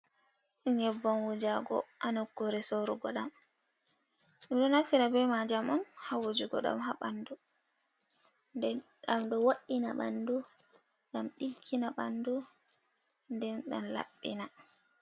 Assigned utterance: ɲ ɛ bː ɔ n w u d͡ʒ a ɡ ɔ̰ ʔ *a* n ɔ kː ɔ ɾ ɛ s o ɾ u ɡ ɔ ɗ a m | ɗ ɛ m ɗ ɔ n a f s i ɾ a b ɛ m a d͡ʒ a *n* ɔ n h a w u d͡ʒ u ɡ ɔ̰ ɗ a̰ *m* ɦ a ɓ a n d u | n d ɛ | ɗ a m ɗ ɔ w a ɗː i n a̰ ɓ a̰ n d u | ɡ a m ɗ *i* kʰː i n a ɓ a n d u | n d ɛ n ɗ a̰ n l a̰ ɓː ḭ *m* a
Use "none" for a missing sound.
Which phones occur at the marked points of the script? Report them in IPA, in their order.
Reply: a, m, m, i, n

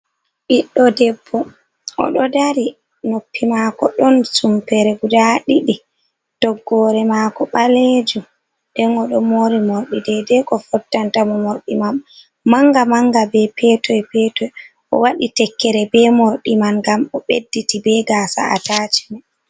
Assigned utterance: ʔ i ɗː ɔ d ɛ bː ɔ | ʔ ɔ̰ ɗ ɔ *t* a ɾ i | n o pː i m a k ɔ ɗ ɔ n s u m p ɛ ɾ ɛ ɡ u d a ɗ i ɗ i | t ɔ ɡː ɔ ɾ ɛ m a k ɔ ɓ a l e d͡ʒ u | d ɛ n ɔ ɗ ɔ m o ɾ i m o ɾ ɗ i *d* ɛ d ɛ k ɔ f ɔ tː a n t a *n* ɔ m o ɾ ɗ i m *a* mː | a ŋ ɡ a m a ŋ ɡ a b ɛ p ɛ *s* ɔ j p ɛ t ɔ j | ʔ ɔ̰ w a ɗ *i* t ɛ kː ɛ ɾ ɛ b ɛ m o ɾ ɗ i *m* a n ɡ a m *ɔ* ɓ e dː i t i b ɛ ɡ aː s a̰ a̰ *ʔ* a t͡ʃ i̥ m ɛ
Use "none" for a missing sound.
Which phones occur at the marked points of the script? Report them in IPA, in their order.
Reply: d, d, m, a, t, i, m, ɔ, t

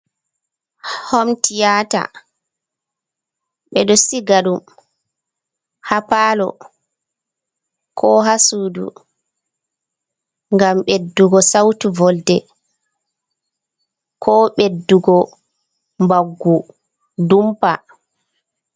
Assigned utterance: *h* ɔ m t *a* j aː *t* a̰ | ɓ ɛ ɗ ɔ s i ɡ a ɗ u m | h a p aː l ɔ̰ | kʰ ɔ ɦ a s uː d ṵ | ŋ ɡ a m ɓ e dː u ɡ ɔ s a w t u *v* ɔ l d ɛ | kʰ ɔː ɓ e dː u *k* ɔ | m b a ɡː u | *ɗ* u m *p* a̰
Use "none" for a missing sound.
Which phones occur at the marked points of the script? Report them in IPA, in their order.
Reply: h, i, t, v, ɡ, d, p

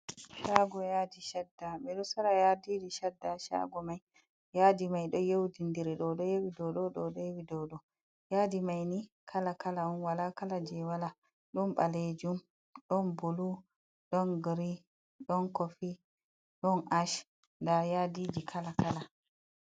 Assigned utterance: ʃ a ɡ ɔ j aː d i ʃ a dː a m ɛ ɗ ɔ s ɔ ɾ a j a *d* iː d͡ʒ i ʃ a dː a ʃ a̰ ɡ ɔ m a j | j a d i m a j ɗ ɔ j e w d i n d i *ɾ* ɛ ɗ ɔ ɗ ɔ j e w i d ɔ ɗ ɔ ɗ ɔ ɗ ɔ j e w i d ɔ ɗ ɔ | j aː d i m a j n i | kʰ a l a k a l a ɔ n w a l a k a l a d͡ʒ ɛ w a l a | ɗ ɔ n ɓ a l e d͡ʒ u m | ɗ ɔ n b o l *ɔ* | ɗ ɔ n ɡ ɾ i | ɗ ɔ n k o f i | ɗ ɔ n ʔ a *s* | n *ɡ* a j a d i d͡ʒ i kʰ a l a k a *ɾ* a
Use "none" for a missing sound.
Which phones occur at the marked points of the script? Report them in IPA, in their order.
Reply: d, ɾ, u, ʃ, d, l

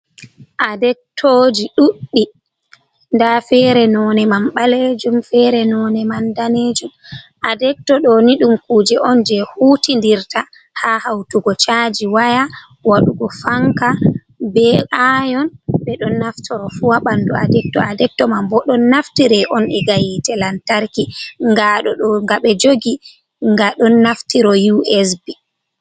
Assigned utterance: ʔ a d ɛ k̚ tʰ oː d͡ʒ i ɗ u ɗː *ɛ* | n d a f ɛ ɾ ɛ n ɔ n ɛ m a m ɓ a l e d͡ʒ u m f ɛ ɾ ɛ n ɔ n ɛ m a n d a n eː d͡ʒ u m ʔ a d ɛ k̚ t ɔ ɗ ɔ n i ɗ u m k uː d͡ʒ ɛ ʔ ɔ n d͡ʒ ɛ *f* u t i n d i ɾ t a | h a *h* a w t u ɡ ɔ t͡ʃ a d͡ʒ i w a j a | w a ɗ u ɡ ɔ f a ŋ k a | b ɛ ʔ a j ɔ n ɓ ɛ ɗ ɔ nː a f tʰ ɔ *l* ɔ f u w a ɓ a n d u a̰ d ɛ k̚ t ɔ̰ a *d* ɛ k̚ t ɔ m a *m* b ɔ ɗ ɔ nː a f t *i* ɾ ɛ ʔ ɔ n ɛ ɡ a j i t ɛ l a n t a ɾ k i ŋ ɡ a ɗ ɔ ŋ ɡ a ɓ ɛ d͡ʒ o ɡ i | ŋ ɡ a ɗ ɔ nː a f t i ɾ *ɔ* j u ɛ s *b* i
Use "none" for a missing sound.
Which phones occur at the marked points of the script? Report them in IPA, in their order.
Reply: i, h, h, ɾ, d, m, i, ɔ, b

